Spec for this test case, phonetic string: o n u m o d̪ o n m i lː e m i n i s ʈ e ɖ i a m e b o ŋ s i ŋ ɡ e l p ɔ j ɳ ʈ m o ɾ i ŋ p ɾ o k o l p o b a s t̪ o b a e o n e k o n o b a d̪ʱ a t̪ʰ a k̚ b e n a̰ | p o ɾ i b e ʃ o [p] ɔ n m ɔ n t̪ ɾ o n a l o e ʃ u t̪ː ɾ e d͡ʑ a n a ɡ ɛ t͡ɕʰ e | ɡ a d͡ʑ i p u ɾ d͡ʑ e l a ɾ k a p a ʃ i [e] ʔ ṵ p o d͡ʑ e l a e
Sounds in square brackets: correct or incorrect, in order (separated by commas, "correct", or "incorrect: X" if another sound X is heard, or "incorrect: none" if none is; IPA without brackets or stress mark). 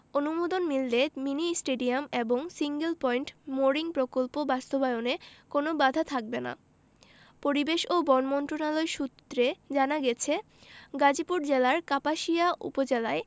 incorrect: b, incorrect: a